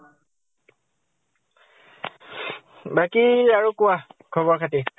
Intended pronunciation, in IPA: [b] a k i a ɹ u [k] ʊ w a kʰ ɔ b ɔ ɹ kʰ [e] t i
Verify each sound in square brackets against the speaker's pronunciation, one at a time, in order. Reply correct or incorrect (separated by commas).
correct, correct, incorrect